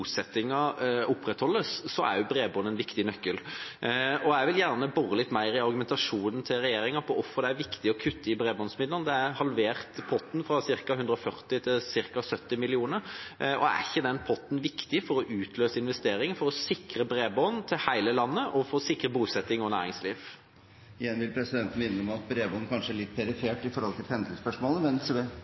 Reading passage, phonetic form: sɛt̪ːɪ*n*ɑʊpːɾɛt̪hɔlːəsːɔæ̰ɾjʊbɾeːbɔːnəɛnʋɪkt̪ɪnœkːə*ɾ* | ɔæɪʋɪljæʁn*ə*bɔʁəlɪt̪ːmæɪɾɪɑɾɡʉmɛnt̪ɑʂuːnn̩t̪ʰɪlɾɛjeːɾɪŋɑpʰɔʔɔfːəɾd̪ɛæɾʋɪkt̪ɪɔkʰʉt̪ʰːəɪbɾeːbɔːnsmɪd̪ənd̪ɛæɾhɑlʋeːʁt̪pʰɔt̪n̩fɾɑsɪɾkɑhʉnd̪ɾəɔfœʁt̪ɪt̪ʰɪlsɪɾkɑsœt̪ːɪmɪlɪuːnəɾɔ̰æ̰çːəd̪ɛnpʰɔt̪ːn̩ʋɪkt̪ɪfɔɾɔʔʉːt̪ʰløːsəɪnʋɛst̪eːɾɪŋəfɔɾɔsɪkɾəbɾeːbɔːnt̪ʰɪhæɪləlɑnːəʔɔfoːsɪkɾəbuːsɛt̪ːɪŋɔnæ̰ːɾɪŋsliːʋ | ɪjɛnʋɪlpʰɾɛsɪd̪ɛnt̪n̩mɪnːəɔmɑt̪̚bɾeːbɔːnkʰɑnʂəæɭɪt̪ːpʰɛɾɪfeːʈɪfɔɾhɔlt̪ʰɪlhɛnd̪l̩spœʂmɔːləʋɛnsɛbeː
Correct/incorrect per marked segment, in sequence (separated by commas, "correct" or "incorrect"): incorrect, incorrect, correct